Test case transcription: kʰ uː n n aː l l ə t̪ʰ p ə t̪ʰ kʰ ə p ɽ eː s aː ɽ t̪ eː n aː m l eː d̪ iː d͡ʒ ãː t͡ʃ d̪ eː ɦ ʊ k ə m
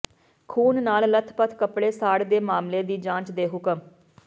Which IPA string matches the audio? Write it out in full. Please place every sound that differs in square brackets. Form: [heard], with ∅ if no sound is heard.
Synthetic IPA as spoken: kʰ uː n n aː l l ə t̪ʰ p ə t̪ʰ [k] ə p ɽ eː s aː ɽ [d̪] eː [m] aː m l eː d̪ iː d͡ʒ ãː t͡ʃ d̪ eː ɦ ʊ k ə m